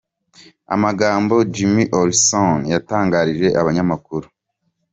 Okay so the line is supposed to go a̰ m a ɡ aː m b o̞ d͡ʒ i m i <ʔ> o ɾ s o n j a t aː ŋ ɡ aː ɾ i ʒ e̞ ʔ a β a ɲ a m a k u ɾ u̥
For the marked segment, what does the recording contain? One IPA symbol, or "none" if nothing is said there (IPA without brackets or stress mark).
ʔ